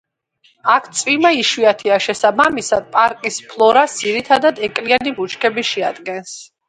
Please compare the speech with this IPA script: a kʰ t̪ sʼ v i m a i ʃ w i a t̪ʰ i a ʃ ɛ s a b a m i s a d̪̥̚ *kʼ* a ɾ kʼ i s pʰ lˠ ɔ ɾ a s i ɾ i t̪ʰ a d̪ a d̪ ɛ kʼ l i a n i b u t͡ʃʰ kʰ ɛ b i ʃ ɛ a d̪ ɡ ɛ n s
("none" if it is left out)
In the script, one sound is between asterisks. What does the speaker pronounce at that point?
pʼ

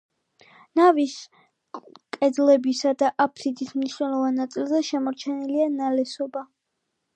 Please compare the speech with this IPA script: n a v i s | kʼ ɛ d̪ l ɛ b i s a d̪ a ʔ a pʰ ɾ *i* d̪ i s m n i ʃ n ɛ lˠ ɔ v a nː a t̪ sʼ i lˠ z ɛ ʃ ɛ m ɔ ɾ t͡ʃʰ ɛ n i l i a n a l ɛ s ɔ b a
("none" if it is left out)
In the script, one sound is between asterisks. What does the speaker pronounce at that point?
i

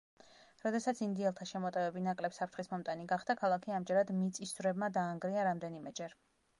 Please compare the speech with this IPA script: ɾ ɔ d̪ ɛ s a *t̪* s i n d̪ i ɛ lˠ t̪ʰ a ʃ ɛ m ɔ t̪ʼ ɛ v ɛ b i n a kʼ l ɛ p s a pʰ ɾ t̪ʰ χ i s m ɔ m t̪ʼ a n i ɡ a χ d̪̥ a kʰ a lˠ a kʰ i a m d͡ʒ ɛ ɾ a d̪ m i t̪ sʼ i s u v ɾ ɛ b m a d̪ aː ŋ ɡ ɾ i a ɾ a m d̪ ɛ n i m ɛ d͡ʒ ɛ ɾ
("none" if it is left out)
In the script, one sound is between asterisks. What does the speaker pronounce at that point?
t̪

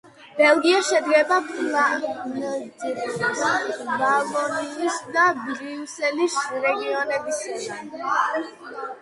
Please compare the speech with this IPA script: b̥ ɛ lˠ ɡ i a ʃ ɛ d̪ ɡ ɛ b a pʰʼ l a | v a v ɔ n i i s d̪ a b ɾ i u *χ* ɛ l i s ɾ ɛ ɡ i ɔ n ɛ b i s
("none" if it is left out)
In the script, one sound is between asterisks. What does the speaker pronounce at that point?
s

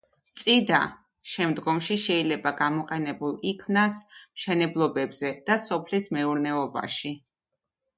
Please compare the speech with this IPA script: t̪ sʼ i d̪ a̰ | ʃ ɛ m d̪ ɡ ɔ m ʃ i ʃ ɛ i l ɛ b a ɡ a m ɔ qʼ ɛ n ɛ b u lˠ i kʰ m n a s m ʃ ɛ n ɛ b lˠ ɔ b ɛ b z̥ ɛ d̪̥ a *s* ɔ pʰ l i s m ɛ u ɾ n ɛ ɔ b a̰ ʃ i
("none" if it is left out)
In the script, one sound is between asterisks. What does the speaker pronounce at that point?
s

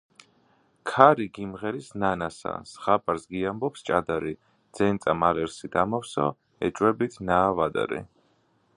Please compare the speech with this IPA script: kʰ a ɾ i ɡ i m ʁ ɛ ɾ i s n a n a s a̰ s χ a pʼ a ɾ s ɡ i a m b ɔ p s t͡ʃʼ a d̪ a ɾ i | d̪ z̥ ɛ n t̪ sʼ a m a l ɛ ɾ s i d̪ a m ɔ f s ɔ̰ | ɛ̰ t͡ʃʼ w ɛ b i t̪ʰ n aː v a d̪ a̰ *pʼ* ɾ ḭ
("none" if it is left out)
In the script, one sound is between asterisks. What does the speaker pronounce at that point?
none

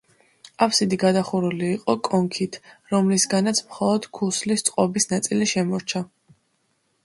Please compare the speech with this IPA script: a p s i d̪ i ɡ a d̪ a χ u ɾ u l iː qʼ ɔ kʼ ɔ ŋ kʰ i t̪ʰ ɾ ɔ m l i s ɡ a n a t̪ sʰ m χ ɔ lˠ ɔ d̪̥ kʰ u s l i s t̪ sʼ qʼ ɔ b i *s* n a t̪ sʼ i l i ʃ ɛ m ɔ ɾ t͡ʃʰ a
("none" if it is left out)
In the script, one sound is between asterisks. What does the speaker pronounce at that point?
s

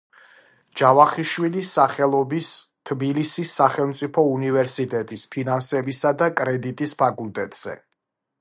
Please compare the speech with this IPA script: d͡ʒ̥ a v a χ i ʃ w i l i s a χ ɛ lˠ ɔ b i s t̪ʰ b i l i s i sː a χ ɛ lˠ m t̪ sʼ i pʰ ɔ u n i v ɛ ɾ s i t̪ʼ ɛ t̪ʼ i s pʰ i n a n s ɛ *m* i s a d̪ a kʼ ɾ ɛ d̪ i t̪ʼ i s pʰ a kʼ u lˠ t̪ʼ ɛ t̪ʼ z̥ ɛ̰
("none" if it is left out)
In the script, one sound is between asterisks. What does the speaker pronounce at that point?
b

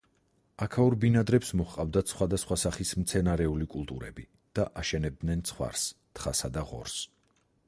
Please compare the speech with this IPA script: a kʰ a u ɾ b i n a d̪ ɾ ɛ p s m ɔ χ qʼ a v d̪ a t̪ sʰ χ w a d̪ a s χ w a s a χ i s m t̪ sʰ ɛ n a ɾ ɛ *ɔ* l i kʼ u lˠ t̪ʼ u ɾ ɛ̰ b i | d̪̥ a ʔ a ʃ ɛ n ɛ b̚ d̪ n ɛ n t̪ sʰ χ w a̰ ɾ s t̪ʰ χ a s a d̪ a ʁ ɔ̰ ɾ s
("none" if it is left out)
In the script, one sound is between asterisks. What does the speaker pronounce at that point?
u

